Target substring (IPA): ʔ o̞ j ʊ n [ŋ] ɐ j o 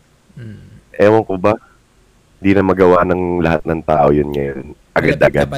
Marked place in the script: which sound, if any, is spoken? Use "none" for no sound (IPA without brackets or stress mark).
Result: ŋ